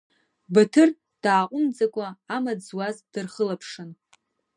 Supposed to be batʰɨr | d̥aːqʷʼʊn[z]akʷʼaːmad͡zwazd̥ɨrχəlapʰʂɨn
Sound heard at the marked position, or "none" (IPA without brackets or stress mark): d͡z